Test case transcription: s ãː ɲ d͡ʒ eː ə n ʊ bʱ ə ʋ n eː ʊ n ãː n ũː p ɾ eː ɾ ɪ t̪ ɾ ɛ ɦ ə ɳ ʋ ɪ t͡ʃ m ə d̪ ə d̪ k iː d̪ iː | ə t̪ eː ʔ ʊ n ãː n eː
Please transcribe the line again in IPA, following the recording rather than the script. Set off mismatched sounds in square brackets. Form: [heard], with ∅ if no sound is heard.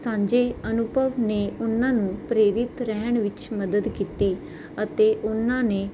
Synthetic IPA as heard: s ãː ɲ d͡ʒ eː ə n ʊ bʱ ə ʋ n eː ʊ n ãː n ũː p ɾ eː ɾ ɪ t̪ ɾ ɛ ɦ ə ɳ ʋ ɪ t͡ʃ m ə d̪ ə d̪ k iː [t̪] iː | ə t̪ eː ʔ ʊ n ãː n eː